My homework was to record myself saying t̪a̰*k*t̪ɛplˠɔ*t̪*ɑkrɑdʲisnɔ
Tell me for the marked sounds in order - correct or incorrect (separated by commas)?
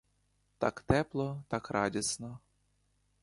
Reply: correct, correct